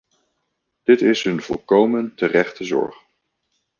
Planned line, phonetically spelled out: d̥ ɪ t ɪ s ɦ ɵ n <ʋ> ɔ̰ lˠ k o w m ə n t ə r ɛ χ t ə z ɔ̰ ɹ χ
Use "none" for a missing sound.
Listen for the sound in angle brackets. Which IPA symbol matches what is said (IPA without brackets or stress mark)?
v